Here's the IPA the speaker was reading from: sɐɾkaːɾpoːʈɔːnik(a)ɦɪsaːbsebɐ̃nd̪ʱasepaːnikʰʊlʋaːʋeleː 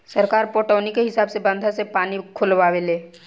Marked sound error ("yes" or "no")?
yes